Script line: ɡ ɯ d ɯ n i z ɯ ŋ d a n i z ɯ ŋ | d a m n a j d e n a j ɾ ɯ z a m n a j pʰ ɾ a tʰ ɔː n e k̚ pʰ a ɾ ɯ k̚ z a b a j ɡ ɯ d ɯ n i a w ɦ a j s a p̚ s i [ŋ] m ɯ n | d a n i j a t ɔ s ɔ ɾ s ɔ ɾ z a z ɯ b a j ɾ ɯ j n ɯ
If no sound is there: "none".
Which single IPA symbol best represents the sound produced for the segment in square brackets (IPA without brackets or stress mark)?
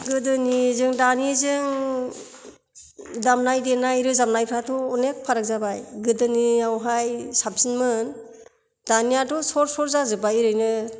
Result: n